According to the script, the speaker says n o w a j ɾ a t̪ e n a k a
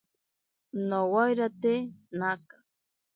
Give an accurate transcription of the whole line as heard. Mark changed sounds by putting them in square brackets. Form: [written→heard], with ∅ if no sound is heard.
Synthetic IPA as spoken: n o w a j ɾ a t̪ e n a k a